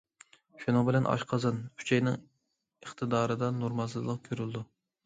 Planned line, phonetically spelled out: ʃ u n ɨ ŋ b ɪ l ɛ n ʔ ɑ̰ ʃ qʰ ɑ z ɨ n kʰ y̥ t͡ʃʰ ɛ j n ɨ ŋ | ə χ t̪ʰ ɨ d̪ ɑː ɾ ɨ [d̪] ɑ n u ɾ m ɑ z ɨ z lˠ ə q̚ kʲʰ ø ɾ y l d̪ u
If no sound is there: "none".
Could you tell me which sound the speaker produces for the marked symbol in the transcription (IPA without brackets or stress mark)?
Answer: d̪